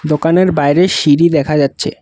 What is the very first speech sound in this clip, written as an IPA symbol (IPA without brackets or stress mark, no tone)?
d̪